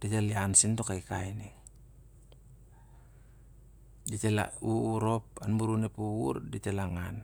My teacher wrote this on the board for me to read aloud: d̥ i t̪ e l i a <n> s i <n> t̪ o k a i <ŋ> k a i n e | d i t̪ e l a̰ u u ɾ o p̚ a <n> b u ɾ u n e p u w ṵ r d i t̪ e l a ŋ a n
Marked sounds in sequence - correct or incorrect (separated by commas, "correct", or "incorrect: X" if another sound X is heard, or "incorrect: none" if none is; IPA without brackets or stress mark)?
correct, correct, incorrect: none, correct